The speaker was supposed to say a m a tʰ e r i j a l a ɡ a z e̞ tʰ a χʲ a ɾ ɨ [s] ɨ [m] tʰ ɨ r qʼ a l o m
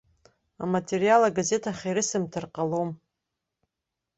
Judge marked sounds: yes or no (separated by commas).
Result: yes, yes